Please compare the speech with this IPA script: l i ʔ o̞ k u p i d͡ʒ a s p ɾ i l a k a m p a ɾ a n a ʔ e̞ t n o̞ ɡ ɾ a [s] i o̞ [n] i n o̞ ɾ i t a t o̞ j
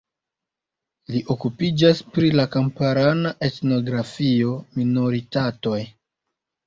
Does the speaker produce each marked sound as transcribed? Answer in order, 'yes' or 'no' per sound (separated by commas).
no, no